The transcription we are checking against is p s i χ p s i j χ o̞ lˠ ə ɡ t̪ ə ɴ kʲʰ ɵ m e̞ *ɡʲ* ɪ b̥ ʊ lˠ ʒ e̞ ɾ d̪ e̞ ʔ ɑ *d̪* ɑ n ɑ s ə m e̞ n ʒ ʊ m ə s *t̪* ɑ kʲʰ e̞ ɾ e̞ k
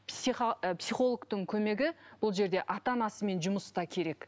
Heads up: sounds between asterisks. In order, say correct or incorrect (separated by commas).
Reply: correct, incorrect, correct